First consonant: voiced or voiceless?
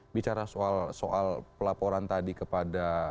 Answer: voiced